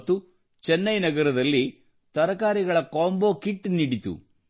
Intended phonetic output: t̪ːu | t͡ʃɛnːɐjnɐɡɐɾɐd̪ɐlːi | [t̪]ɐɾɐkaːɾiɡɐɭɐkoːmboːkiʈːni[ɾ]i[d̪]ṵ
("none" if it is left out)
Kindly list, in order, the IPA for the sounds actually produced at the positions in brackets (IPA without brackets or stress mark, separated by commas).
t̪, ɽ, t̪